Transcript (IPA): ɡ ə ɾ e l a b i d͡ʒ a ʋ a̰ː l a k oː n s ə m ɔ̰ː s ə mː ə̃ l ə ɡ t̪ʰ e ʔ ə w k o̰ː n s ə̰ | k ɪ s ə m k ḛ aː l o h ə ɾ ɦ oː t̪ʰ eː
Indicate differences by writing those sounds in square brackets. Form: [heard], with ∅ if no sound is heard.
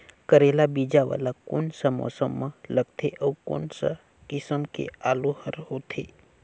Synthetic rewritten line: [k] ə ɾ e l a b i d͡ʒ a ʋ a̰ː l a k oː n s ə m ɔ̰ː s ə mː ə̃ l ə ɡ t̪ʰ e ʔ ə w k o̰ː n s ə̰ | k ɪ s ə m k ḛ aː l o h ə ɾ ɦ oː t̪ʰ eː